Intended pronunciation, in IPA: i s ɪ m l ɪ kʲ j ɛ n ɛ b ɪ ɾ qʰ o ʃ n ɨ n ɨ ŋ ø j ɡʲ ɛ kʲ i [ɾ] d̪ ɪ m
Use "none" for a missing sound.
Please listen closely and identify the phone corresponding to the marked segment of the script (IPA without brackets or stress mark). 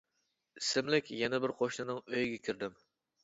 ɾ